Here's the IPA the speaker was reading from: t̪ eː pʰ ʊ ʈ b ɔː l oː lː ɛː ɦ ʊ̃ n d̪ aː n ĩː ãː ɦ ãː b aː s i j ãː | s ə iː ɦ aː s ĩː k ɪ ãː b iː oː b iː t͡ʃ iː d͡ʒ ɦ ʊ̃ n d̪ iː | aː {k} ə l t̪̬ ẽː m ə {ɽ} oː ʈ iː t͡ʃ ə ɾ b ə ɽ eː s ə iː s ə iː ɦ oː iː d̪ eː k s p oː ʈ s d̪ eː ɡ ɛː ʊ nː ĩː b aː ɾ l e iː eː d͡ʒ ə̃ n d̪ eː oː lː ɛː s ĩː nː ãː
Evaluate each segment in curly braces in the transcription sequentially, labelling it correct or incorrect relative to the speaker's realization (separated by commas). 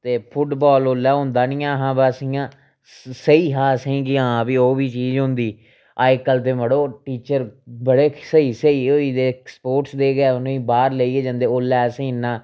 correct, correct